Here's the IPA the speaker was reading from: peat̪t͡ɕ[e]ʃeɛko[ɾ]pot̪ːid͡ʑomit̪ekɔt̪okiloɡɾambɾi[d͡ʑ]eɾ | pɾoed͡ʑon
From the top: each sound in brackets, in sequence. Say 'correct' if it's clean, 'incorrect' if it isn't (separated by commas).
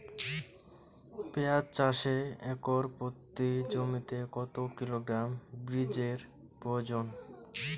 incorrect, correct, correct